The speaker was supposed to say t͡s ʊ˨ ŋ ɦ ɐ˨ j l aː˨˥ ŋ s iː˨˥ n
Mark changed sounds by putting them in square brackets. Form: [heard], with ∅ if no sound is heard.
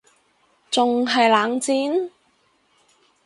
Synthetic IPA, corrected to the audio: t͡s ʊ˨ ŋ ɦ ɐ˨ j l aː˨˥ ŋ [t͡s] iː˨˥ n